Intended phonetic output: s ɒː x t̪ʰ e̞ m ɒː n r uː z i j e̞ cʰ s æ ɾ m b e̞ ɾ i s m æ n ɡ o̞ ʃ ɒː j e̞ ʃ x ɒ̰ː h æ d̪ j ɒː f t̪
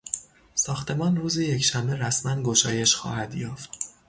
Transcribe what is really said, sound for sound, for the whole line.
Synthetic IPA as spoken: s ɒː x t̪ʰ e̞ m ɒː n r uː z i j e̞ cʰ ʃ æ m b e̞ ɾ æ s m æ n ɡ o̞ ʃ ɒː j e̞ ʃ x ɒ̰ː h æ d̪ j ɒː f t̪